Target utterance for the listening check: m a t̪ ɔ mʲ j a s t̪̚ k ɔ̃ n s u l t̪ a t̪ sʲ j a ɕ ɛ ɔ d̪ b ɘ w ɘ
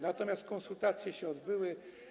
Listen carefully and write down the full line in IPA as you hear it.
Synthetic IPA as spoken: n a t̪ ɔ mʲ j a s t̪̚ k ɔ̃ n s u l t̪ a t̪ sʲ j ɛ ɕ ɛ ɔ d̪ b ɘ w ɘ